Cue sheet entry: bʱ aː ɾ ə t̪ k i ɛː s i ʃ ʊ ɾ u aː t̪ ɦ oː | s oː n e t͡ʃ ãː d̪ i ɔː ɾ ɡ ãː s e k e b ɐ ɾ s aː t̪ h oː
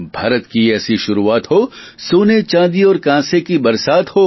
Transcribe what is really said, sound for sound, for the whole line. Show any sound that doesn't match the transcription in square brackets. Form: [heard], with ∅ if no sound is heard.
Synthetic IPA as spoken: bʱ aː ɾ ə t̪ k i ɛː s i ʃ ʊ ɾ u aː t̪ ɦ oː | s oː n e t͡ʃ ãː d̪ i ɔː ɾ [k] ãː s e k [i] b ɐ ɾ s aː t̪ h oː